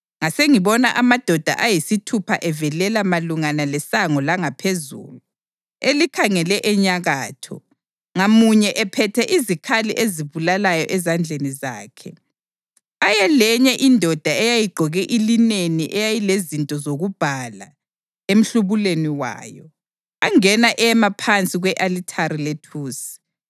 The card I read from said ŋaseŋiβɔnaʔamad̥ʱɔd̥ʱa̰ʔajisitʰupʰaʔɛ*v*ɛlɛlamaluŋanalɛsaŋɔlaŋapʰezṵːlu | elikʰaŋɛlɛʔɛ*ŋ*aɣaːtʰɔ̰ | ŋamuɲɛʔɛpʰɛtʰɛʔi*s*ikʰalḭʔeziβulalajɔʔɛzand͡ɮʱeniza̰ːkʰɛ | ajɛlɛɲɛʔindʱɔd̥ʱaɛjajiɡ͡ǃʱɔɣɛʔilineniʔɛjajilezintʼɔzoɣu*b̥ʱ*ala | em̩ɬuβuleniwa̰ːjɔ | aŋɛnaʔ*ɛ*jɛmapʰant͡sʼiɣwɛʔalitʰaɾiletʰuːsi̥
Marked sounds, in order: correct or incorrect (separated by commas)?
correct, incorrect, incorrect, correct, correct